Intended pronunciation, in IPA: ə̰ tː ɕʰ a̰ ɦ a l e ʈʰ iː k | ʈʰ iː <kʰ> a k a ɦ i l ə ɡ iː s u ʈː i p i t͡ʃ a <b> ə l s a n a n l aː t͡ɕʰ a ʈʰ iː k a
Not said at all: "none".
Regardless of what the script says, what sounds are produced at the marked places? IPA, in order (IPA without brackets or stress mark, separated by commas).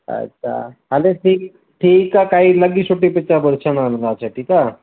k, b